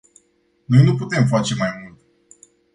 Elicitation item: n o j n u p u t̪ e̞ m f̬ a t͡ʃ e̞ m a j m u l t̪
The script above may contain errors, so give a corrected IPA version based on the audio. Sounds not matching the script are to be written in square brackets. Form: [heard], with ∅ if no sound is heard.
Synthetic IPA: n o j n u p u t̪ e̞ m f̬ a t͡ʃ e̞ m a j m u l t̪